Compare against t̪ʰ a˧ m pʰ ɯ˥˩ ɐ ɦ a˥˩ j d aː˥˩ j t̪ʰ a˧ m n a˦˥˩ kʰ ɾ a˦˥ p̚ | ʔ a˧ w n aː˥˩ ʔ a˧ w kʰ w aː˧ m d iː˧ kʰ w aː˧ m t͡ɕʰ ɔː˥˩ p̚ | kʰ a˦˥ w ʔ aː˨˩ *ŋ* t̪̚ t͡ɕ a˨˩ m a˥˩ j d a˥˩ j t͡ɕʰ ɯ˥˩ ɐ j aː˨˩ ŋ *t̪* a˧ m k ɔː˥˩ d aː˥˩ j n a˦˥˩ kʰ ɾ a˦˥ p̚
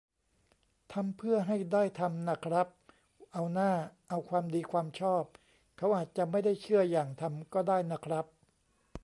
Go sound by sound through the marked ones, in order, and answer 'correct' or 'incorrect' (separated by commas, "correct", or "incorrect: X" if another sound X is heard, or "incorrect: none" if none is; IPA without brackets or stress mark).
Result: incorrect: none, incorrect: t̪ʰ